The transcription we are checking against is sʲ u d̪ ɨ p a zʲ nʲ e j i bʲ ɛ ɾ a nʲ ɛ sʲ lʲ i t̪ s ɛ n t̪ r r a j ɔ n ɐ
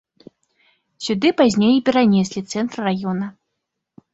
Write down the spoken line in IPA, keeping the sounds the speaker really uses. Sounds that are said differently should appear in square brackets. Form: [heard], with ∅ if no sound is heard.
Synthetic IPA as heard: sʲ u d̪ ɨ p a zʲ nʲ e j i [pʲ] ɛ ɾ a nʲ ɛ sʲ lʲ i t̪ s ɛ n t̪ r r a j ɔ n ɐ